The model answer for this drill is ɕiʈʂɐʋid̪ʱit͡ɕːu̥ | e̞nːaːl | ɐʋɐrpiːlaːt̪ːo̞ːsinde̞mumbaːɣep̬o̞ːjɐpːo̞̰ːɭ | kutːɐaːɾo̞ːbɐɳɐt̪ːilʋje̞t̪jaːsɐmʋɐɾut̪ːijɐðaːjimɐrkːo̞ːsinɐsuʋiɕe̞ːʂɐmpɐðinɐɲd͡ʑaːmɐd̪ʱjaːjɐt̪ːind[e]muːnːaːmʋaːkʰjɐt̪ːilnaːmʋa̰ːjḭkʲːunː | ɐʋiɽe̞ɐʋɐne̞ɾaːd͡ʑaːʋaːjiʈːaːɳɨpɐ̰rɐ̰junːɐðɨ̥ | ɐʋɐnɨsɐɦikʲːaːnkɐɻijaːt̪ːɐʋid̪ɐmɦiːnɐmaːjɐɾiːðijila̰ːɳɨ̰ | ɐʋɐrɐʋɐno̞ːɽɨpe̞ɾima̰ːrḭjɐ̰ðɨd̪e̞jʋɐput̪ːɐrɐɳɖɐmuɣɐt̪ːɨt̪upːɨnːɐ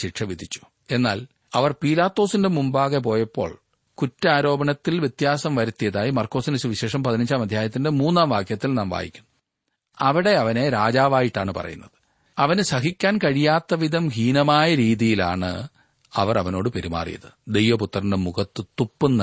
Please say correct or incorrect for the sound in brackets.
correct